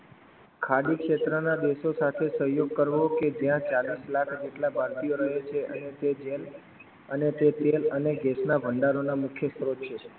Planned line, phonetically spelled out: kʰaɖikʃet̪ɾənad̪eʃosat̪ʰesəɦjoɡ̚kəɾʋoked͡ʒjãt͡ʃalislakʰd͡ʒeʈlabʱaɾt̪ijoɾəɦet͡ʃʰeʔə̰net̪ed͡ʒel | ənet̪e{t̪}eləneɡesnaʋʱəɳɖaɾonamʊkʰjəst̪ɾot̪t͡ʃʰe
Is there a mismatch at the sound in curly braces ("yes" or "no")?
no